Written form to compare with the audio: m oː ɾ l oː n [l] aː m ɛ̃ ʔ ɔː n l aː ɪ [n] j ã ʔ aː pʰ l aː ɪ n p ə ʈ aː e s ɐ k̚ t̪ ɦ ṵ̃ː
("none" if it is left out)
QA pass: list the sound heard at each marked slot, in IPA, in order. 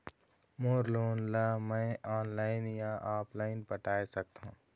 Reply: l, n

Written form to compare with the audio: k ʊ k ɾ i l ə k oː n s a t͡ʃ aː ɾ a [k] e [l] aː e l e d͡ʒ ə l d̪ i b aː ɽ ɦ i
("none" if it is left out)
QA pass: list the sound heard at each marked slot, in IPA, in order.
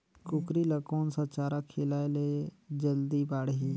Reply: kʰ, l

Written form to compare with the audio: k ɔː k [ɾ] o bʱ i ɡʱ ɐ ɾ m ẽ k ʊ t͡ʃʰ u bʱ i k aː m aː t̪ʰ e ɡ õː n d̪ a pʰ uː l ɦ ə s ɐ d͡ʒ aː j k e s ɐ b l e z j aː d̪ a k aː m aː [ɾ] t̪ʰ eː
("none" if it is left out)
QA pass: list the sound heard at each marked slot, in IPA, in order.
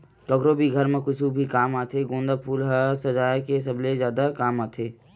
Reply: ɾ, none

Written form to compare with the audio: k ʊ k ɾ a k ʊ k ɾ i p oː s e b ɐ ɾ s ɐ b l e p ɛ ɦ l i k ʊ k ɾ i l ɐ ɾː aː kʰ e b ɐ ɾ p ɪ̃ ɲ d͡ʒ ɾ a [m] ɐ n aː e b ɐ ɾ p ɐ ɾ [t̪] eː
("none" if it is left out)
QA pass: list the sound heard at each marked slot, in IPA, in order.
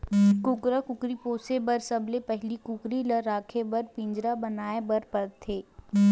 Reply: b, t̪ʰ

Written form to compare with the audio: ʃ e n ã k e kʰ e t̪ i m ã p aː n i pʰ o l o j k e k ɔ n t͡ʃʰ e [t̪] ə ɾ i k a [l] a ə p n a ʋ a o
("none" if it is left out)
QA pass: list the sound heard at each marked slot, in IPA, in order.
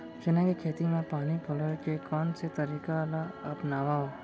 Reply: t̪, l

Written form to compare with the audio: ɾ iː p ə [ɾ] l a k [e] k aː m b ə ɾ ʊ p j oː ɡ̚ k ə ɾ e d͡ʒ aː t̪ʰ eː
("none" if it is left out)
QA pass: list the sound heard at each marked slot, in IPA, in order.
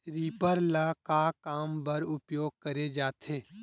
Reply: ɾ, a

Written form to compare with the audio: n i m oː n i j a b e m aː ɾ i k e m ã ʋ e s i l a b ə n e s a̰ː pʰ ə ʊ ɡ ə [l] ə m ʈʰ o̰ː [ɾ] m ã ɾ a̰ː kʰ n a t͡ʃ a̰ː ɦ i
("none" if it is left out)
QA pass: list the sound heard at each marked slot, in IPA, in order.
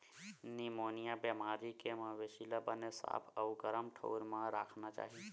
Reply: ɾ, ɾ

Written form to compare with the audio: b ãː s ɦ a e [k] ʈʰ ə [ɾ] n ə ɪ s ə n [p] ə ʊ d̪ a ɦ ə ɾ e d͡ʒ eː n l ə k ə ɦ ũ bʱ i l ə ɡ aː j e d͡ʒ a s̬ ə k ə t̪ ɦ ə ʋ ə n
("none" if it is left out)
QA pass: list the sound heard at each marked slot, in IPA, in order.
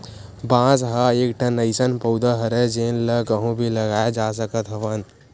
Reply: k, none, p

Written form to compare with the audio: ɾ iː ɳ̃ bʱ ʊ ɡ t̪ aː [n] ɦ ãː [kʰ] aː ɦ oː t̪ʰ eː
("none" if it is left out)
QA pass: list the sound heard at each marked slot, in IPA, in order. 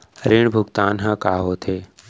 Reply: n, k

